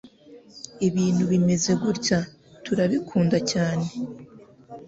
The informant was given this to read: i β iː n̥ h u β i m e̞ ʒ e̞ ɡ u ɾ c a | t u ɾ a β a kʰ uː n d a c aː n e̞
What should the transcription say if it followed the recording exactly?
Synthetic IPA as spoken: i β iː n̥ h u β i m e̞ z e̞ ɡ u ɾ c a | t u ɾ a β i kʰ uː n d a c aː n e̞